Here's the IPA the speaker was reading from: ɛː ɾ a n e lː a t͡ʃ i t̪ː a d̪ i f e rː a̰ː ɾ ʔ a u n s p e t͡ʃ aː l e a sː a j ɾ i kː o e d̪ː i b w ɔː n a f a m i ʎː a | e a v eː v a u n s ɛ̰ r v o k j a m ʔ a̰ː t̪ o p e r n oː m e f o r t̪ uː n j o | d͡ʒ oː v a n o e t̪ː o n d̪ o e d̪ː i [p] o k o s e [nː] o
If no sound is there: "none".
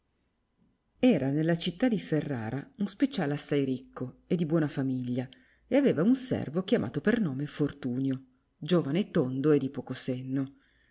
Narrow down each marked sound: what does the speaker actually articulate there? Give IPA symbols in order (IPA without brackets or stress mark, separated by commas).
p, nː